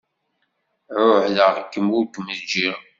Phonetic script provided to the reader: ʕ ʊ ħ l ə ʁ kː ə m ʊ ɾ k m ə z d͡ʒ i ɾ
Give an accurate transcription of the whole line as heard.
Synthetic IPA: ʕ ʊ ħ l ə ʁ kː ə m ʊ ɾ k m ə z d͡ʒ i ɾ

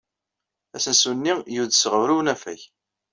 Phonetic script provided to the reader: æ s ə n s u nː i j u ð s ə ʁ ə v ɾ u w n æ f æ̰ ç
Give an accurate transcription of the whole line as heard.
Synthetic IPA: æ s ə n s u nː i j u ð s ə ʁ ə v ɾ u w n æ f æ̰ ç

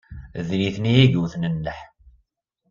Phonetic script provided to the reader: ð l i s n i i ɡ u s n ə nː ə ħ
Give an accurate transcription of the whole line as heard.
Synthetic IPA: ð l i θ n i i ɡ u θ n ə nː ə ħ

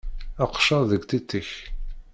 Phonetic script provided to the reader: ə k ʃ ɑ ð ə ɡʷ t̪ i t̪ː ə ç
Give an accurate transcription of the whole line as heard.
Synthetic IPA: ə q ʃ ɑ ð ə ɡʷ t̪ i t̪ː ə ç

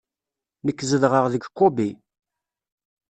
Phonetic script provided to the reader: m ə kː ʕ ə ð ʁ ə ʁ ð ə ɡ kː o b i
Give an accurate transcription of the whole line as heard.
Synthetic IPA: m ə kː z ə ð ʁ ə ʁ ð ə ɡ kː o b i

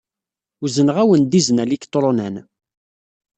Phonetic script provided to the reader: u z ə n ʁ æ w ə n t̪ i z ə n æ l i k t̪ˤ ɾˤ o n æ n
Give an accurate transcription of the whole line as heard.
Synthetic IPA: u z ə n ʁ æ w ə n d̪ i z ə n æ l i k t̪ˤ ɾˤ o n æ n

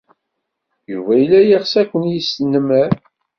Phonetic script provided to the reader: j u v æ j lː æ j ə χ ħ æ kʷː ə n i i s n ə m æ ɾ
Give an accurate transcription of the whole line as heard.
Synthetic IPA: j u v æ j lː æ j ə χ s æ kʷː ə n j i s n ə m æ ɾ

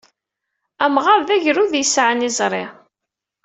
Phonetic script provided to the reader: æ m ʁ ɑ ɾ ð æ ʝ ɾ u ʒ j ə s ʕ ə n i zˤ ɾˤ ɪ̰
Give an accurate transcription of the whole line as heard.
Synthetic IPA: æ m ʁ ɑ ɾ ð æ ʝ ɾ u ð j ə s ʕ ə n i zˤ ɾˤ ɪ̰

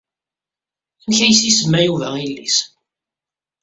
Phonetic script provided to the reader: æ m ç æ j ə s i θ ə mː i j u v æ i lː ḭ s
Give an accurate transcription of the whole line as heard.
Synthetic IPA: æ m ç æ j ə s i s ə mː æ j u v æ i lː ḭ s

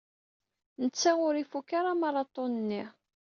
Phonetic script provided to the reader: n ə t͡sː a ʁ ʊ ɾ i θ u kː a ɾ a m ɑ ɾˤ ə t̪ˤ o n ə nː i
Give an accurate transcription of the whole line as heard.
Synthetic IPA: n ə t͡sː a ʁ ʊ ɾ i f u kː a ɾ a m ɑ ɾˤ ɑ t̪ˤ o n ə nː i

